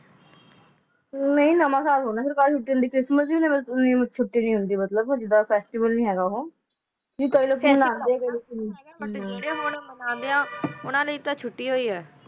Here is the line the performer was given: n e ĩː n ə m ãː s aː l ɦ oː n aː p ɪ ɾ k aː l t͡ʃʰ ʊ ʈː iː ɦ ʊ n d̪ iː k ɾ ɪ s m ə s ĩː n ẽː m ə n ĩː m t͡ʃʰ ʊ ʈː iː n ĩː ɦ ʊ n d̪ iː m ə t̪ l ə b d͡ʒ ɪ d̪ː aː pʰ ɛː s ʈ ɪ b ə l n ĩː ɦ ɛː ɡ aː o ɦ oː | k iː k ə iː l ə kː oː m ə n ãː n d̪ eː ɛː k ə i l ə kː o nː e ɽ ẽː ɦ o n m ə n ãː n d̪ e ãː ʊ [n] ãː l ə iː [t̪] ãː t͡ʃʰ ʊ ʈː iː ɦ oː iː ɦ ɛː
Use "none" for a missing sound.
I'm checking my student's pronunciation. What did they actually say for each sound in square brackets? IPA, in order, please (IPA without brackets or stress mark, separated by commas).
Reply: n, t̪